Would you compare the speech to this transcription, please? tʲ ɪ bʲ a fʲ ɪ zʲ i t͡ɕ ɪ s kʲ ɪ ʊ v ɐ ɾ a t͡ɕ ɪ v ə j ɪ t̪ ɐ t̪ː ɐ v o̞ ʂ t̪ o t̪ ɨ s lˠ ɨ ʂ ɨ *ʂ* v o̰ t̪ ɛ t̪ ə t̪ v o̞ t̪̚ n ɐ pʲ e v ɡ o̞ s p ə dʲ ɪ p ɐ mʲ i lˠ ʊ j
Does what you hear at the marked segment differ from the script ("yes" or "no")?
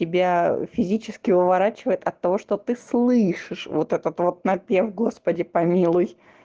no